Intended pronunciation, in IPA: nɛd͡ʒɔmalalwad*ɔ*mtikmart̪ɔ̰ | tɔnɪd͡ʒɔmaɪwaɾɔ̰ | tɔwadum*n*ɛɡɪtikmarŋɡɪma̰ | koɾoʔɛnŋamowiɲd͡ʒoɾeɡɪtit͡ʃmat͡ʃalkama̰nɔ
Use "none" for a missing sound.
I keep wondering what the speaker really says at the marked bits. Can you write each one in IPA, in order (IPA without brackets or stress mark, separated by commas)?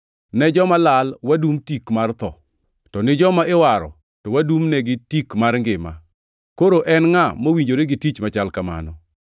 u, n